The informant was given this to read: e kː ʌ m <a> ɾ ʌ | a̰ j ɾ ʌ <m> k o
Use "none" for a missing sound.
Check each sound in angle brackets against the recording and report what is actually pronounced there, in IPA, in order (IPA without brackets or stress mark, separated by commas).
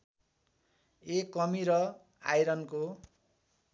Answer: i, n